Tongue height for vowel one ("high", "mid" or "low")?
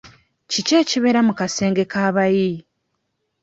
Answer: high